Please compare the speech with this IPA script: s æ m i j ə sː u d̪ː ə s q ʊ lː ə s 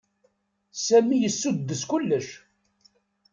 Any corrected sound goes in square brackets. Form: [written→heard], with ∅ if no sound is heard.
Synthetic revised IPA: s æ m i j ə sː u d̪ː ə s [q→k] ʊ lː ə [s→ʃ]